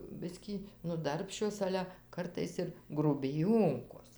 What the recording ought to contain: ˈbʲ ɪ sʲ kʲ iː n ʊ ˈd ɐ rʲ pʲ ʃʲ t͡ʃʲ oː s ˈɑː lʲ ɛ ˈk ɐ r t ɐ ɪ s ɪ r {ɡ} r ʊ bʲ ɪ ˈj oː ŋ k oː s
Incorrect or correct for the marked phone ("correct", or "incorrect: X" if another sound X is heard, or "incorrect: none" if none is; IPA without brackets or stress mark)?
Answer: correct